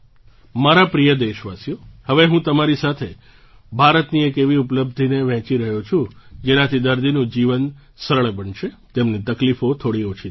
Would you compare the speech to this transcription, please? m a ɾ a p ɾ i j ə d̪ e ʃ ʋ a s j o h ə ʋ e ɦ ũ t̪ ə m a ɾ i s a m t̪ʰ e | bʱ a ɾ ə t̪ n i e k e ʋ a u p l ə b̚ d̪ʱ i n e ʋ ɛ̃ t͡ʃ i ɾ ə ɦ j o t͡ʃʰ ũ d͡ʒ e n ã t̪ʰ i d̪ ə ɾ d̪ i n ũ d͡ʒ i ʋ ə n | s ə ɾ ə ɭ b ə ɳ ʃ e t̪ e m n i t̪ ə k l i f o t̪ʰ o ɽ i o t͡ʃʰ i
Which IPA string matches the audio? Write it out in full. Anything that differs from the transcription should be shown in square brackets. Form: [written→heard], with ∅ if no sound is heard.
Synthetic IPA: m a ɾ a p ɾ i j ə d̪ e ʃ ʋ a s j o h ə ʋ e ɦ ũ t̪ ə m a ɾ i s a [m→∅] t̪ʰ e | bʱ a ɾ ə t̪ n i e k e ʋ [a→i] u p l ə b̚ d̪ʱ i n e ʋ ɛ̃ t͡ʃ i ɾ ə ɦ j o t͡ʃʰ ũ d͡ʒ e n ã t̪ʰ i d̪ ə ɾ d̪ i n ũ d͡ʒ i ʋ ə n | s ə ɾ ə ɭ b ə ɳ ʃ e t̪ e m n i t̪ ə k l i f o t̪ʰ o ɽ i o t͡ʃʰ i